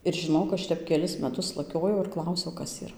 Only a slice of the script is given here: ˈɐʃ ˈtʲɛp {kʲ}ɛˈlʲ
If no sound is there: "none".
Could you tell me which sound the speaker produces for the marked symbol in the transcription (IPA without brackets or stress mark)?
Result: kʲ